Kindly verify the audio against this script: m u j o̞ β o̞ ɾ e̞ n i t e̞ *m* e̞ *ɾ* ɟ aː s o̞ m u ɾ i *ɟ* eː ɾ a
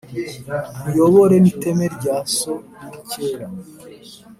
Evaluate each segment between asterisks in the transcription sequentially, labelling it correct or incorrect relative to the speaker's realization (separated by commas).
correct, correct, incorrect